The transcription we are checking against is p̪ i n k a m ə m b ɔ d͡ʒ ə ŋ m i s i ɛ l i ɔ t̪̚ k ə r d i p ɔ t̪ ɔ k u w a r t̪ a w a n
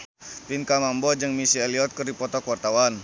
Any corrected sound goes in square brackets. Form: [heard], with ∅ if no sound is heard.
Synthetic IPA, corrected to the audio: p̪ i n k a m [a] m b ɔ d͡ʒ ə ŋ m i s i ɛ l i ɔ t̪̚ k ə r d i p ɔ t̪ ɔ k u w a r t̪ a w a n